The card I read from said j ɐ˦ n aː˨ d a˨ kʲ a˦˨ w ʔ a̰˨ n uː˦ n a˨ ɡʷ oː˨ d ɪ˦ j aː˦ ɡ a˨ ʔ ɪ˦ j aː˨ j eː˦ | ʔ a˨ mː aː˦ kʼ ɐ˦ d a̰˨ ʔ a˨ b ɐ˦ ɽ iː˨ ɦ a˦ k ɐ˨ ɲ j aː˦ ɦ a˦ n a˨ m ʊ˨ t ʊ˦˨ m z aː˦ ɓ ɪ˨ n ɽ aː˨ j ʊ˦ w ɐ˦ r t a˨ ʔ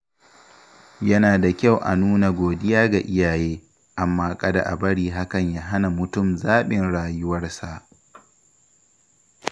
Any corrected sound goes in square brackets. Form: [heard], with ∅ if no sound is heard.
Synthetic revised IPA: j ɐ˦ n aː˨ d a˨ kʲ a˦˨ w ʔ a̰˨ n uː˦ n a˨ ɡʷ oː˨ d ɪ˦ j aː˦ ɡ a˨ ʔ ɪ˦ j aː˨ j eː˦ | ʔ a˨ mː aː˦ kʼ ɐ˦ d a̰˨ ʔ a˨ b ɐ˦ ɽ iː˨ ɦ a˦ k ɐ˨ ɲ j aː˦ ɦ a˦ n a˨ m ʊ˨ t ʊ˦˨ m z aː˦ ɓ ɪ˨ n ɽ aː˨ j ʊ˦ w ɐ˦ r [s] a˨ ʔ